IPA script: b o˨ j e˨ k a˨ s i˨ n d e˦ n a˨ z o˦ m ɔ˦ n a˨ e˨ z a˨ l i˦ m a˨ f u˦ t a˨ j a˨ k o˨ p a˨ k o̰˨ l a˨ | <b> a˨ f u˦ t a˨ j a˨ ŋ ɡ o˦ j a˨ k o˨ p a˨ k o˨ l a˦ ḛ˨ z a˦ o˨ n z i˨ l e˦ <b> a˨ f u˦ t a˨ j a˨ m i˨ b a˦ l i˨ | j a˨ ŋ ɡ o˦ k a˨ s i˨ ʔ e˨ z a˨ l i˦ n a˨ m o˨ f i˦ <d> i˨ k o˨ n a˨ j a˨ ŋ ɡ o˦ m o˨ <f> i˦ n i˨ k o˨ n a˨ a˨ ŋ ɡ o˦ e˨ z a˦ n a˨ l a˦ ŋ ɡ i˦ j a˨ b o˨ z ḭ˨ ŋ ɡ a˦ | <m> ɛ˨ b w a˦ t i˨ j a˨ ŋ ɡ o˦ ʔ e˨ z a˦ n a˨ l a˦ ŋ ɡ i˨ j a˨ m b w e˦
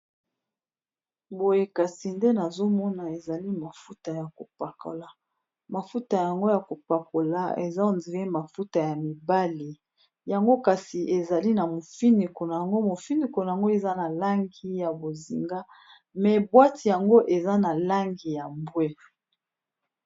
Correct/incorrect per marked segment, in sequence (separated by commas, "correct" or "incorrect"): incorrect, incorrect, incorrect, correct, correct